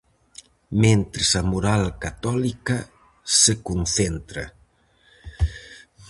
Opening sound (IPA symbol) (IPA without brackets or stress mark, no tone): m